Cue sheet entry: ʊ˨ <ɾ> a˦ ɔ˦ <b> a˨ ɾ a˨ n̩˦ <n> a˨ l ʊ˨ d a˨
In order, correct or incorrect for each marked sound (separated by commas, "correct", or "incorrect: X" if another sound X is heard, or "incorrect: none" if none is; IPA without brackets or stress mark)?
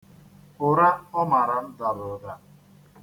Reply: correct, incorrect: m, incorrect: d